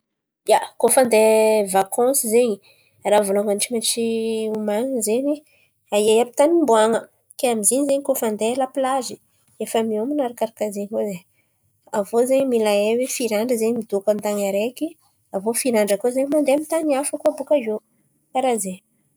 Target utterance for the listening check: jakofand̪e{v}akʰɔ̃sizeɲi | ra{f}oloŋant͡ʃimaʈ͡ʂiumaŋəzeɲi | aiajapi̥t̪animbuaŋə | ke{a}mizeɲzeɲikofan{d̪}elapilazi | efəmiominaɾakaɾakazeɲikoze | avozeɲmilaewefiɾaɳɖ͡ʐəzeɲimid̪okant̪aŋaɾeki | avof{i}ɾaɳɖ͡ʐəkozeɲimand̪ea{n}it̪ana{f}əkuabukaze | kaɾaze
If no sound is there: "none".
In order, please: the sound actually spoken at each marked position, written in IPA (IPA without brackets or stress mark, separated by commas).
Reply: v, v, a, d̪, i, m, f